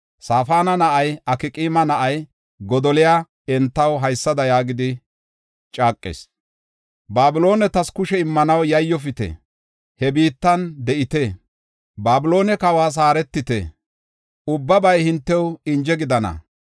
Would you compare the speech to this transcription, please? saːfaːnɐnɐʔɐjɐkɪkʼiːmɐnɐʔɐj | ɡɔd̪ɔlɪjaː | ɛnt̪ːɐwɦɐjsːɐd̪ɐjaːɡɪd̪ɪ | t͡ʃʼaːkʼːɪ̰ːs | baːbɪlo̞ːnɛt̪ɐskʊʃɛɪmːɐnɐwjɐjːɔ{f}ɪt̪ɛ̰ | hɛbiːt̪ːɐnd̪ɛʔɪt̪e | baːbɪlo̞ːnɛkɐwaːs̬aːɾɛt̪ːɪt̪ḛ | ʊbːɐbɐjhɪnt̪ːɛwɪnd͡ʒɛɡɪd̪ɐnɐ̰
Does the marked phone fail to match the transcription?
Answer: no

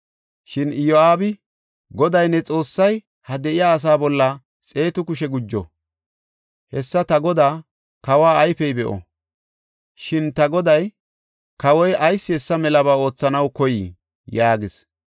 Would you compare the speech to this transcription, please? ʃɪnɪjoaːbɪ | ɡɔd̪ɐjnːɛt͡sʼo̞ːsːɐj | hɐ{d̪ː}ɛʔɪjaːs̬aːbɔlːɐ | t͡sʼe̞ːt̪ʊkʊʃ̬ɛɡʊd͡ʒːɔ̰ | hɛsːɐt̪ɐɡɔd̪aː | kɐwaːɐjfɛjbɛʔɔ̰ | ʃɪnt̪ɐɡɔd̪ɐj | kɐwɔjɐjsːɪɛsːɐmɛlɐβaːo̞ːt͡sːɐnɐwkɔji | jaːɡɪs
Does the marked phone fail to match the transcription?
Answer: yes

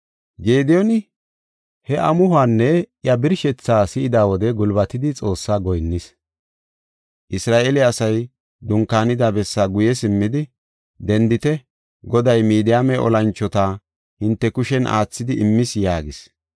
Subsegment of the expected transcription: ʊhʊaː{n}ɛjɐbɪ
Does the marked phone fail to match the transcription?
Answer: yes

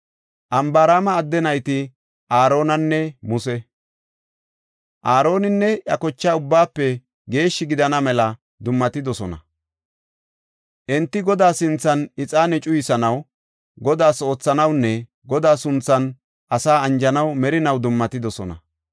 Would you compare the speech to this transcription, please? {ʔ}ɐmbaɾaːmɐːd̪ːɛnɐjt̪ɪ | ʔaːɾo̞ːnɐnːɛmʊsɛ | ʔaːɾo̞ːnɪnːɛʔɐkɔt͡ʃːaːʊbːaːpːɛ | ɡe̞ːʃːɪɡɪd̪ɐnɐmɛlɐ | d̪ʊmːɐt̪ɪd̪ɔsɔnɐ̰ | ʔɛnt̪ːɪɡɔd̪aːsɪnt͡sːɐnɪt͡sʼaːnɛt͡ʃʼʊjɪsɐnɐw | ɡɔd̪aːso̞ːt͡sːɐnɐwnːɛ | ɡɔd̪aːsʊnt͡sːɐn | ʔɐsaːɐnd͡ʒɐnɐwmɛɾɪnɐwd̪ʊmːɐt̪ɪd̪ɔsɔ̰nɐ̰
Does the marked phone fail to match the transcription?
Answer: no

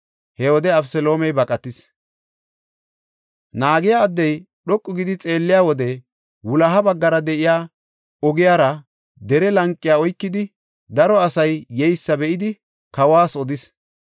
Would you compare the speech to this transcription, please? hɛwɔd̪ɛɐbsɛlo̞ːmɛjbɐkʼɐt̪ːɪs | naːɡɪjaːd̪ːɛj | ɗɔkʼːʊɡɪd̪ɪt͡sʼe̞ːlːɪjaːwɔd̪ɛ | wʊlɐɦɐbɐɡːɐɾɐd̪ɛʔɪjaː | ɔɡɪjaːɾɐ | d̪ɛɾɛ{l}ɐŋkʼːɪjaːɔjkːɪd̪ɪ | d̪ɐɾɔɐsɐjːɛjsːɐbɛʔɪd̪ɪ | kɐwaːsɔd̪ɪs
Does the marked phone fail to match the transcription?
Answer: no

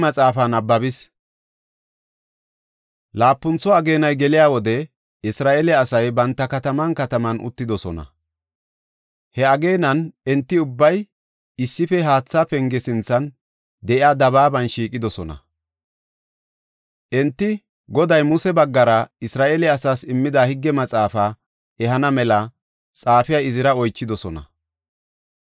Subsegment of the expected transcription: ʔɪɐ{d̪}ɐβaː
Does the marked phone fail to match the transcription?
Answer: no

